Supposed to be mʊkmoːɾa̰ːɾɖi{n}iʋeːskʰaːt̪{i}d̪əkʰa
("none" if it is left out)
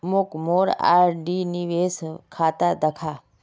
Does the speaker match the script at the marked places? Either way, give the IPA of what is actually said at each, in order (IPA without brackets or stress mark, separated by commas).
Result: n, a